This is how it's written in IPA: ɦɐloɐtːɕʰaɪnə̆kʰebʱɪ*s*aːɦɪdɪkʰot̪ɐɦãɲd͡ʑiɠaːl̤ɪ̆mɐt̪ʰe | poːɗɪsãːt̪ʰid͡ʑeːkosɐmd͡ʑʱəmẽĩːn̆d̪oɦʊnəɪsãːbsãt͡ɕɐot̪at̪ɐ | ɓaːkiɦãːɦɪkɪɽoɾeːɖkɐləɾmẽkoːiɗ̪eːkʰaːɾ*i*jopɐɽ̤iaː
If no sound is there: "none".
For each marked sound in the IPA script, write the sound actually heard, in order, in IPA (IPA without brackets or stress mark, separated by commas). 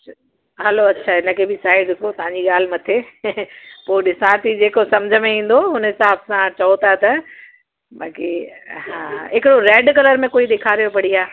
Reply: s, i